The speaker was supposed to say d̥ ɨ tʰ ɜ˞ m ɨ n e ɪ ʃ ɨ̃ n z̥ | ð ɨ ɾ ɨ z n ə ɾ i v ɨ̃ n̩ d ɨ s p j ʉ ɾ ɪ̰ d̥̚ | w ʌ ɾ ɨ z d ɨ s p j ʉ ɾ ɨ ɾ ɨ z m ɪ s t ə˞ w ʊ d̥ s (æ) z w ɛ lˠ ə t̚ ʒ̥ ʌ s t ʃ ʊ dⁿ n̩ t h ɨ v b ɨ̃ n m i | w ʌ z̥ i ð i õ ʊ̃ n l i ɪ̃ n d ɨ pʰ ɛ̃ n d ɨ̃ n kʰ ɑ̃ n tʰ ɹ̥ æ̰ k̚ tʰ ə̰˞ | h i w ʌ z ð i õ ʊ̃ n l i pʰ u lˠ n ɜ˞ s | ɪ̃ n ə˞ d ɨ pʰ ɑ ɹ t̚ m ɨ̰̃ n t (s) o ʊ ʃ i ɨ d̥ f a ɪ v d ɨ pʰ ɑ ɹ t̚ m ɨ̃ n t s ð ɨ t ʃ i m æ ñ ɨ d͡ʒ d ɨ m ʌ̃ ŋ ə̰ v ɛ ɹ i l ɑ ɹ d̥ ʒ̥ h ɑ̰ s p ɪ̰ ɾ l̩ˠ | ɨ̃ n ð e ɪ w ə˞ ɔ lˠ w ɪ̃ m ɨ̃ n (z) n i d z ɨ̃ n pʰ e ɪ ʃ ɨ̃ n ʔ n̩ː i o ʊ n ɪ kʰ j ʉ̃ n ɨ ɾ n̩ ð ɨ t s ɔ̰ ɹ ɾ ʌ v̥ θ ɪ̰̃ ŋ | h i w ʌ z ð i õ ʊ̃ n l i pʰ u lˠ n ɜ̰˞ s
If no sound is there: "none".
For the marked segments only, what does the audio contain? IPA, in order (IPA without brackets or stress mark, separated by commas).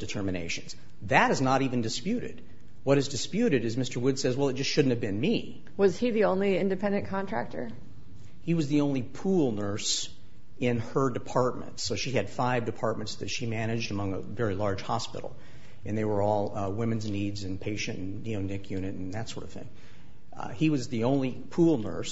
ɛ, s, z